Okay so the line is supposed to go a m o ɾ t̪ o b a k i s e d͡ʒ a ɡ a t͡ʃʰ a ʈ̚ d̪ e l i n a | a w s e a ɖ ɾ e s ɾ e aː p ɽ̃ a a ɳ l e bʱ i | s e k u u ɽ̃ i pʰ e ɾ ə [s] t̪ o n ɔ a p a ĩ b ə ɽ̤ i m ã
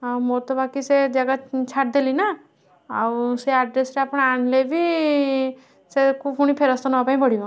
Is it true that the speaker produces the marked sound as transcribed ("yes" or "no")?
yes